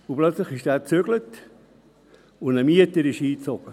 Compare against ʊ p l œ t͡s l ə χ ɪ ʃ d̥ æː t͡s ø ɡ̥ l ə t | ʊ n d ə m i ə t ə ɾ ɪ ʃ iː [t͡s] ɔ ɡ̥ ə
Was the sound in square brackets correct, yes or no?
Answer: yes